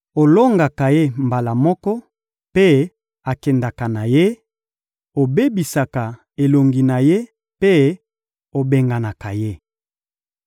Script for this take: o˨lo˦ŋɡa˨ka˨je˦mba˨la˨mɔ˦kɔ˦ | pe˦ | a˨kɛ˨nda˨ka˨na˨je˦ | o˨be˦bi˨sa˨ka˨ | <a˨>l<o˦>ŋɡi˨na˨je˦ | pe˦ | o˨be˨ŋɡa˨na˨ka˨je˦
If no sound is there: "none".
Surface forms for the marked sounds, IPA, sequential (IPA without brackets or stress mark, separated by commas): e˨, o˨